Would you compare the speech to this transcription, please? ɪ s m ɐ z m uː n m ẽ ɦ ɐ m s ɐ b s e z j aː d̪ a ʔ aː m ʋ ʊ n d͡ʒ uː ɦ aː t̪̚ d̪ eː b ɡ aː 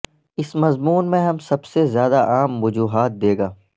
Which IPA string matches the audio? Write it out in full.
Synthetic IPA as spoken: ɪ s m ɐ z m uː n m ẽ ɦ ɐ m s ɐ b s e z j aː d̪ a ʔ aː m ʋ ʊ d͡ʒ uː ɦ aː t̪̚ d̪ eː ɡ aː